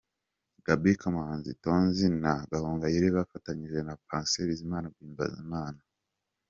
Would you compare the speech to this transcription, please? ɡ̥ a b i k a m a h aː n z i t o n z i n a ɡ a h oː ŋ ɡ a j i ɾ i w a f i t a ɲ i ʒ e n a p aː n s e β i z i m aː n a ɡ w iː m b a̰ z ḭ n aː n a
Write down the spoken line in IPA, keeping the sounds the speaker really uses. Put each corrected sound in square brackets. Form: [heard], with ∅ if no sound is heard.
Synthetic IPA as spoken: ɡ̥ a b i k a m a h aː n z i t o n z i n a ɡ a h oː ŋ ɡ a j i ɾ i [β] a f [a] t a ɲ i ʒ e n a p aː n s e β i z i m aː n a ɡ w iː m b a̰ z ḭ [m] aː n a